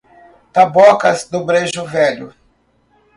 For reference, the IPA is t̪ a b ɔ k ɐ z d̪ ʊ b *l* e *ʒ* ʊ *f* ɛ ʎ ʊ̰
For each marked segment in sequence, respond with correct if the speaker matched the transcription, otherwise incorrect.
incorrect: ɾ, correct, incorrect: v

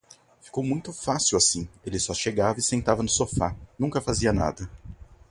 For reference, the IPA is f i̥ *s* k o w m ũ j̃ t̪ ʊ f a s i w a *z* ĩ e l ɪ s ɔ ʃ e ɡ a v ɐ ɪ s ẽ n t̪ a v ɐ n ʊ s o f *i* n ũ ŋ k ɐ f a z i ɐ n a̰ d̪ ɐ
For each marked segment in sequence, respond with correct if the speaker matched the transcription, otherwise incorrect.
incorrect: none, incorrect: s, incorrect: a

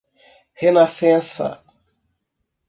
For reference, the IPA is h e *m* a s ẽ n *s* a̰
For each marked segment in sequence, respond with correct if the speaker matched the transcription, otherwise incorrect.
incorrect: n, correct

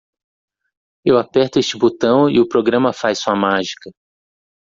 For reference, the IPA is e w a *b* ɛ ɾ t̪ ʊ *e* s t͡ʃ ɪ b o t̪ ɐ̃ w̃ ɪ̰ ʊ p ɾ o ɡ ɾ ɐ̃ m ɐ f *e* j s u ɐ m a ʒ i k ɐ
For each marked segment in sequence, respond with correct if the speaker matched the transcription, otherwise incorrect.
incorrect: p, correct, incorrect: a

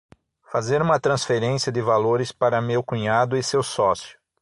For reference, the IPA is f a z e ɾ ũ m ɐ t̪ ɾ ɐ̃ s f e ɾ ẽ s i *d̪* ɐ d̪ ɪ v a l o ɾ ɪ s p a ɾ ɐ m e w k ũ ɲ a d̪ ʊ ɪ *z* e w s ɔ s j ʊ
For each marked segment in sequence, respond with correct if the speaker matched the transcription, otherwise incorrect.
incorrect: none, incorrect: s

